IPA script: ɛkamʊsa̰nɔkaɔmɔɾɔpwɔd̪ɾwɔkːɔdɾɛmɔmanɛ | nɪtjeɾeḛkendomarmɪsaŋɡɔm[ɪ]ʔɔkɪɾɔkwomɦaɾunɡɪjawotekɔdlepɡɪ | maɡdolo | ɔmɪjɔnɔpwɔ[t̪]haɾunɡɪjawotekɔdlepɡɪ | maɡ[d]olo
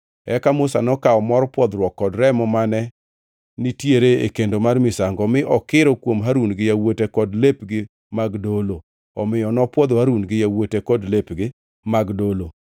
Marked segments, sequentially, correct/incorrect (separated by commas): correct, incorrect, correct